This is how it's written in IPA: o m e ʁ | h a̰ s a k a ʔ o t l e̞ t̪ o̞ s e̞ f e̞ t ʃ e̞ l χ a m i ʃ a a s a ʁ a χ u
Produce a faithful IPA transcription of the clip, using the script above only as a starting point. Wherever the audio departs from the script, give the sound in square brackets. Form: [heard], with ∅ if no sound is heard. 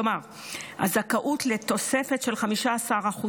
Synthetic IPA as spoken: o m [a] ʁ | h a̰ [z] a k a ʔ [u] t l e̞ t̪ o̞ s e̞ f e̞ t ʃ e̞ l χ a m i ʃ a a s a ʁ a χ u